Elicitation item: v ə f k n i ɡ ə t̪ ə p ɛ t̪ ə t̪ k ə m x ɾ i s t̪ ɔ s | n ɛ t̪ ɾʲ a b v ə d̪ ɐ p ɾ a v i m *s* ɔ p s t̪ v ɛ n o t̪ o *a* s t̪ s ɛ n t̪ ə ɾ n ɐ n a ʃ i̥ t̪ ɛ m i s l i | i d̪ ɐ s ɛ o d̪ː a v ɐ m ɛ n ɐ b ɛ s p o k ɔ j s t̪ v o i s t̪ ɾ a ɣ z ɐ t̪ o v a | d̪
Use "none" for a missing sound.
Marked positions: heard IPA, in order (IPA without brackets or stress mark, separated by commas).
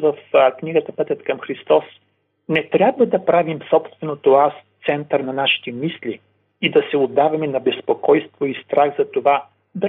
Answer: s, a